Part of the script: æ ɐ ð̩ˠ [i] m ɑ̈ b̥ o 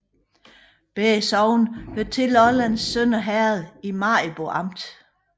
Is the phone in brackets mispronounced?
no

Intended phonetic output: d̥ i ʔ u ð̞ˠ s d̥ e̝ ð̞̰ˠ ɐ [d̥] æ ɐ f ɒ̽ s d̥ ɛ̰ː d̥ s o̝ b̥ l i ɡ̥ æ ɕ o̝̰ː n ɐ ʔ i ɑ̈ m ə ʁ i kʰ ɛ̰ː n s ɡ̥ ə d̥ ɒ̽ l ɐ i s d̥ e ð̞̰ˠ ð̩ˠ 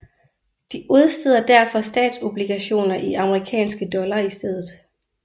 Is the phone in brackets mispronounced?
no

